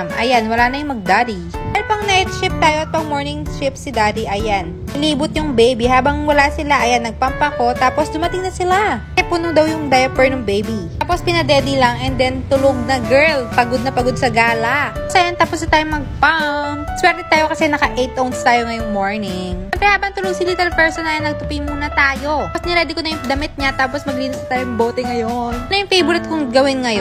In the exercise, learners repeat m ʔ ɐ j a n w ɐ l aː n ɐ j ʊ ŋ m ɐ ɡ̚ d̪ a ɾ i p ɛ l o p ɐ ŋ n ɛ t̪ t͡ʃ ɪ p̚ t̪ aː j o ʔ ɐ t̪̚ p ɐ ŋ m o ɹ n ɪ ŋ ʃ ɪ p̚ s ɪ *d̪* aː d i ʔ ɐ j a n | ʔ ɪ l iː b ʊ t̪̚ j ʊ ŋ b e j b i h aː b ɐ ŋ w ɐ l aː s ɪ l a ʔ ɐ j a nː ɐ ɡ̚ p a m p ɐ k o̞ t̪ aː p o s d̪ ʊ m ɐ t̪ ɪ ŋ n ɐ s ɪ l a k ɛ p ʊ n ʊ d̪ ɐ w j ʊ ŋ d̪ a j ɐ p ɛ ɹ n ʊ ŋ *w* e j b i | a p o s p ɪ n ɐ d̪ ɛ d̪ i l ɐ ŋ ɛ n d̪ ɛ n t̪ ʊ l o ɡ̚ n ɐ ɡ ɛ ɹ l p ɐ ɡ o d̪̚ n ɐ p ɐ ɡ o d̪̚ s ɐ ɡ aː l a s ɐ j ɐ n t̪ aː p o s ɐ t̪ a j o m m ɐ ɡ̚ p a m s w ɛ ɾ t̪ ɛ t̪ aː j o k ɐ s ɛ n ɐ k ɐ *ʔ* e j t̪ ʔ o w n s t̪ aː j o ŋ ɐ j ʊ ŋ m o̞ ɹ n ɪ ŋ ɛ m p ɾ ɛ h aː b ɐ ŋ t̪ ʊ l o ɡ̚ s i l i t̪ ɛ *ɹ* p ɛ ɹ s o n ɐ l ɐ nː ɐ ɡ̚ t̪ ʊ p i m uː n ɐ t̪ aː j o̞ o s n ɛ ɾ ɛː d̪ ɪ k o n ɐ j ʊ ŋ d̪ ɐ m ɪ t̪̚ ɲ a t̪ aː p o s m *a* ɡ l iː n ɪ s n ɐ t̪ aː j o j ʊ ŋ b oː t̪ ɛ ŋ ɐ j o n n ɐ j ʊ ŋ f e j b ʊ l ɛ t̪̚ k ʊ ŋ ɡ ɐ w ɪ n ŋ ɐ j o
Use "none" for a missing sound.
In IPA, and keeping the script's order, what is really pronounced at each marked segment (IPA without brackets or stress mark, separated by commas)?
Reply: d̪, b, ʔ, l, ɐ